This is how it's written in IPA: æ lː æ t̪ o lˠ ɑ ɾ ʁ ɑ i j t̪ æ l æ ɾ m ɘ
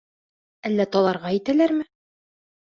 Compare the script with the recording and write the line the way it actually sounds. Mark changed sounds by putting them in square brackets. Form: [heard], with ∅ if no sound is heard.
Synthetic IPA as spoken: æ lː æ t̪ [ɒ] lˠ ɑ ɾ ʁ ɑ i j t̪ æ l æ ɾ m ɘ